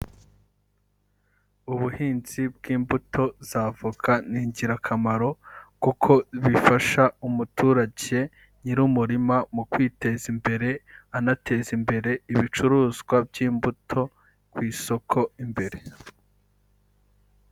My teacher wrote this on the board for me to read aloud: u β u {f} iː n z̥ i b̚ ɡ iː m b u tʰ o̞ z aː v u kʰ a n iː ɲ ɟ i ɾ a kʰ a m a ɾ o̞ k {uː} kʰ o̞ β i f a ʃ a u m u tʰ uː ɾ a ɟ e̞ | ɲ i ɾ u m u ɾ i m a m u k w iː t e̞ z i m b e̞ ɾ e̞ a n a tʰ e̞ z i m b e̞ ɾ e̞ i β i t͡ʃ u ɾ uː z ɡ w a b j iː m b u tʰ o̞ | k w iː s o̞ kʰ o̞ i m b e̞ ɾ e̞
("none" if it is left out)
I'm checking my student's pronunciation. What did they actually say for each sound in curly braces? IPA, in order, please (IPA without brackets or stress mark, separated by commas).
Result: h, u